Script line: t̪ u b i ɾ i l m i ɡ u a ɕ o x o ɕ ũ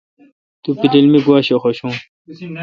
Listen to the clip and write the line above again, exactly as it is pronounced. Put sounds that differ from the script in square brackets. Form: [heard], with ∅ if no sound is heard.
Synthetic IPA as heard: t̪ u [p] i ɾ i l m i ɡ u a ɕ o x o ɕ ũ